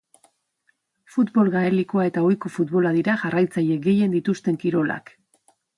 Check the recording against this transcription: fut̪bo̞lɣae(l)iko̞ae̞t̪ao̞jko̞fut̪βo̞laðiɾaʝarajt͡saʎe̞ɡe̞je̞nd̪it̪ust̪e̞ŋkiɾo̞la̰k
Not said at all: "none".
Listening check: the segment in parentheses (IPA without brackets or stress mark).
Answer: l